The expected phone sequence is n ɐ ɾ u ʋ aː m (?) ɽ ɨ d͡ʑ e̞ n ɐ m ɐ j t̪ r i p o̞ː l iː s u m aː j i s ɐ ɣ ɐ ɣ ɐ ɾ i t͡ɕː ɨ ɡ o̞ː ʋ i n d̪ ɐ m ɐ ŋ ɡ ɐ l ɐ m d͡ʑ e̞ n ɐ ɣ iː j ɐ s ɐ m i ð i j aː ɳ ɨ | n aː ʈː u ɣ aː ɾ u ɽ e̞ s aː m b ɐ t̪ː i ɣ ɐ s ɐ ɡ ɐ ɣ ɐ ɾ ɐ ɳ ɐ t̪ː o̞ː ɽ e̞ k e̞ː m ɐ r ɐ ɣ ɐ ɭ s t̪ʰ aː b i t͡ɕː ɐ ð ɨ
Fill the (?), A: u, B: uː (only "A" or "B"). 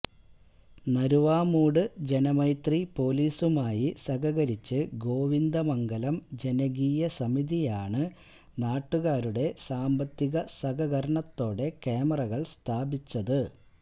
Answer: B